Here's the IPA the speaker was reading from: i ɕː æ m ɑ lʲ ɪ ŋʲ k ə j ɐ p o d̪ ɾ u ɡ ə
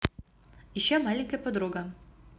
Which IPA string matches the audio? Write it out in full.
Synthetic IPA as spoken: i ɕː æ m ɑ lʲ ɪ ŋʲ k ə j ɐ p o d̪ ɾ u ɡ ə

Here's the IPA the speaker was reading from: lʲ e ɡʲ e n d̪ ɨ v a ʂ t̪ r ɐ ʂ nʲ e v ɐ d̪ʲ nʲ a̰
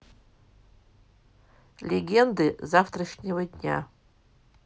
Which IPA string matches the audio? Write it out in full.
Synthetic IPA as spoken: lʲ e ɡʲ e n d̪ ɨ z a f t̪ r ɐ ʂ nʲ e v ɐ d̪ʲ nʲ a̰

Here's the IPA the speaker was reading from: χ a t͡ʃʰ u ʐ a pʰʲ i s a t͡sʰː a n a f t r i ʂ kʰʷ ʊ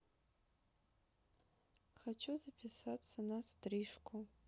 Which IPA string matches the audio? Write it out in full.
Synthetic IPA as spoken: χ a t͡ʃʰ u z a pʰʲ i s a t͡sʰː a n a s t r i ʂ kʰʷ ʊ

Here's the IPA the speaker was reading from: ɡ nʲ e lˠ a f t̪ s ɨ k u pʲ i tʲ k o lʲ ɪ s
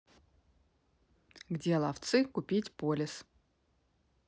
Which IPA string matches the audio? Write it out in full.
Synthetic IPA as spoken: ɡ dʲ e lˠ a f t̪ s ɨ k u pʲ i tʲ p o lʲ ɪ s

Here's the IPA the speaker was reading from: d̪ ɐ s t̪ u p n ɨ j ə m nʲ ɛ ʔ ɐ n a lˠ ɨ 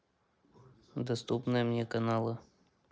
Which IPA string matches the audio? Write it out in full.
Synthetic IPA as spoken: d̪ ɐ s t̪ u p n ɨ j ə m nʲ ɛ k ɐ n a lˠ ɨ

